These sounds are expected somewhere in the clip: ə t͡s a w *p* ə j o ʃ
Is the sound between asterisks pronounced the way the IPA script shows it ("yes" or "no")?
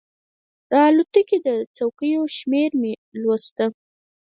no